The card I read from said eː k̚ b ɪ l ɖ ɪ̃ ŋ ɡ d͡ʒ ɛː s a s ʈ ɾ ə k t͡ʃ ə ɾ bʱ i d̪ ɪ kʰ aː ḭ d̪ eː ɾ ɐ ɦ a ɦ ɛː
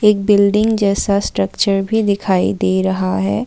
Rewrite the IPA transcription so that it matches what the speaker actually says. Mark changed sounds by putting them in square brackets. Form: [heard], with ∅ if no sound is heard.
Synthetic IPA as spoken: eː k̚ b ɪ l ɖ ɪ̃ ŋ ɡ d͡ʒ ɛː s a s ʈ ɾ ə k t͡ʃ ə ɾ bʱ i d̪ ɪ kʰ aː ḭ d̪ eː ɾ ɐ ɦ a ɦ ɛː